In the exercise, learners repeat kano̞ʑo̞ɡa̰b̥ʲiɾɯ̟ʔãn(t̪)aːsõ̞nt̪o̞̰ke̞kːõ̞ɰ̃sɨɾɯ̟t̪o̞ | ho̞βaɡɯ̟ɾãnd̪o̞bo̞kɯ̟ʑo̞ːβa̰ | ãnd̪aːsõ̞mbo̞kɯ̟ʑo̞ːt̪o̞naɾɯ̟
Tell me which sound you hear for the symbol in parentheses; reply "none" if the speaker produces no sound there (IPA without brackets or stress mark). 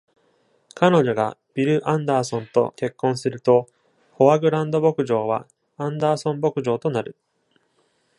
d̪